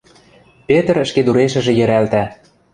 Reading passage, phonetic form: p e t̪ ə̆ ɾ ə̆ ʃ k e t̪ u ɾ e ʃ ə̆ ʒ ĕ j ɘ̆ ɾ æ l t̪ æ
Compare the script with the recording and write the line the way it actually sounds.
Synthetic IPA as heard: p e t̪ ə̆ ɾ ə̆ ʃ k e d̪ u ɾ e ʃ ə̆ ʒ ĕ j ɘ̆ ɾ æ l t̪ æ